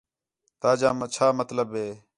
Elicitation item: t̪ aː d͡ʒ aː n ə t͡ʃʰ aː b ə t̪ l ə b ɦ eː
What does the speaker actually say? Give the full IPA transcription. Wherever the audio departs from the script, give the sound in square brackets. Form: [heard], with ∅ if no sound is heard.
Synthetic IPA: t̪ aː d͡ʒ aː [m] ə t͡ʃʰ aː [m] ə t̪ l ə b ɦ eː